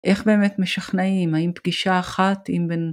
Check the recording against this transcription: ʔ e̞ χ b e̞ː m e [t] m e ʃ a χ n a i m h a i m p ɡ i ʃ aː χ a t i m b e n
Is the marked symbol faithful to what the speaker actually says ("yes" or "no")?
yes